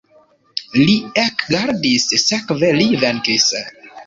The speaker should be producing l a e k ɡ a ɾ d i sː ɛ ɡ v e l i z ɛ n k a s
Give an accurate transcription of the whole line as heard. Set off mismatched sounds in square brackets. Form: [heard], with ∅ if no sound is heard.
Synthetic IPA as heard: l [i] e k ɡ a ɾ d i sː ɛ [k] v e l i [v] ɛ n k [i] s